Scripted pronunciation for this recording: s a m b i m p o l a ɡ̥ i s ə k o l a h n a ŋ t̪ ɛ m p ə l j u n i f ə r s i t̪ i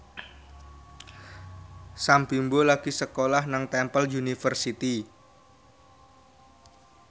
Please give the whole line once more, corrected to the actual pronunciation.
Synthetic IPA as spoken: s a m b i m b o l a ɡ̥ i s ə k o l a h n a ŋ t̪ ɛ m p ə l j u n i f ə r s i t̪ i